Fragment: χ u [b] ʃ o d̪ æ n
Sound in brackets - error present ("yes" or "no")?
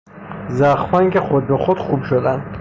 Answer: no